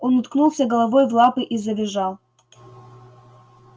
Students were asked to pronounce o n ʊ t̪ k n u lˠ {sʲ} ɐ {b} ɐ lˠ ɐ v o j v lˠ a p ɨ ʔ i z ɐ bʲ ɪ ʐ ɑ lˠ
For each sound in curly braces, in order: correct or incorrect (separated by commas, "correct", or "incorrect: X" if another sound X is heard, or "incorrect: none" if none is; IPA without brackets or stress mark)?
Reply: correct, incorrect: ɡ